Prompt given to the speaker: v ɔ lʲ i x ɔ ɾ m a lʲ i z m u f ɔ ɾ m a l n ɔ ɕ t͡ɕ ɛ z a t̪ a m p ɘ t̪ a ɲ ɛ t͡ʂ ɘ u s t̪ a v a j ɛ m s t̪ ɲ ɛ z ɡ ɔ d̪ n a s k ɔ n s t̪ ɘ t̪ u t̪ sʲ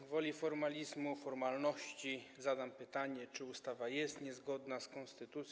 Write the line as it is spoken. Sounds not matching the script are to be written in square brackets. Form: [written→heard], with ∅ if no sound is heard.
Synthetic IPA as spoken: v ɔ lʲ i [x→f] ɔ ɾ m a lʲ i z m u f ɔ ɾ m a l n ɔ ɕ t͡ɕ [ɛ→i] z a [t̪→d̪] a m p ɘ t̪ a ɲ ɛ t͡ʂ ɘ u s t̪ a v a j ɛ [m→∅] s t̪ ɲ ɛ z ɡ ɔ d̪ n a s k ɔ n s t̪ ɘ t̪ u t̪ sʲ